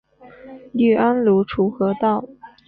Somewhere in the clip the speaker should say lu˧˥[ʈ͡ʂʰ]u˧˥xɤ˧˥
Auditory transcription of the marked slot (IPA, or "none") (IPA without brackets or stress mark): ʈ͡ʂʰ